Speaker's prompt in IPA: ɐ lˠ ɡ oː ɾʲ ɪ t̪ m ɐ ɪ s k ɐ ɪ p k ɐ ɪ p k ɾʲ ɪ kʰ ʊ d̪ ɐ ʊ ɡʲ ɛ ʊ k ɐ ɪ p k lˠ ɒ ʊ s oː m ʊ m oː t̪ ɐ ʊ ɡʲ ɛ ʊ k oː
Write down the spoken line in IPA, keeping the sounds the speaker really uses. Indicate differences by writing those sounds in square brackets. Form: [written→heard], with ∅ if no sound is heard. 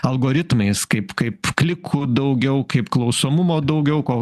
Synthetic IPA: ɐ lˠ ɡ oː ɾʲ ɪ t̪ m ɐ ɪ s k ɐ ɪ p k ɐ ɪ p k [ɾʲ→lʲ] ɪ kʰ ʊ d̪ ɐ ʊ ɡʲ ɛ ʊ k ɐ ɪ p k lˠ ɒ ʊ s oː m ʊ m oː [t̪→d̪] ɐ ʊ ɡʲ ɛ ʊ k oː